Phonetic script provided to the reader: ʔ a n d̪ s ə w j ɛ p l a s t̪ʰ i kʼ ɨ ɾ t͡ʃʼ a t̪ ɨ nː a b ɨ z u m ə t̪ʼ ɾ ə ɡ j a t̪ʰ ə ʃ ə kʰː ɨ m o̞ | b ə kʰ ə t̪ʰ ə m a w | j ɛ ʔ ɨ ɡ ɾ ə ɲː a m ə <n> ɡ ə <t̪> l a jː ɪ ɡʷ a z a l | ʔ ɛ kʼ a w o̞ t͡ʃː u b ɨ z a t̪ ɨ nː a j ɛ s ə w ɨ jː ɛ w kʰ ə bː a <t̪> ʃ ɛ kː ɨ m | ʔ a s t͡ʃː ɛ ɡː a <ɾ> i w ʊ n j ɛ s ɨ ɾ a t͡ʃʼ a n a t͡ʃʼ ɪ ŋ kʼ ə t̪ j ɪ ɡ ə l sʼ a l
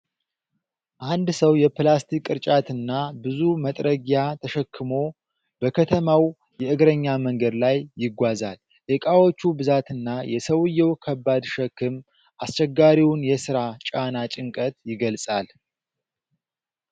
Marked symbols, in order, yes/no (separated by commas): no, no, no, yes